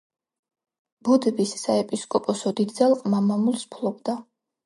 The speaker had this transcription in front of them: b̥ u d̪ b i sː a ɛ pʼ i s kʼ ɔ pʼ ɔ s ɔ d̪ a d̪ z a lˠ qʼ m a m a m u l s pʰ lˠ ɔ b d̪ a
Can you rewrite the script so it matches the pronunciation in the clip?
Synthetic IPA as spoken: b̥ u d̪ b i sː a ɛ pʼ i s kʼ ɔ pʼ ɔ s ɔ d̪ i d̪ z a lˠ qʼ m a m a m u l s pʰ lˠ ɔ b d̪ a